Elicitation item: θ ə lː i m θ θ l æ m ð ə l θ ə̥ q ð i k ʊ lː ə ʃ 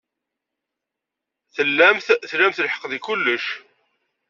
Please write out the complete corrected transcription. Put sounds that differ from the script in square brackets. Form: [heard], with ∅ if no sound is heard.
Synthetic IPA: θ ə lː [æ] m θ θ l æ m [θ] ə l [ħ] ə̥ q ð i k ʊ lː ə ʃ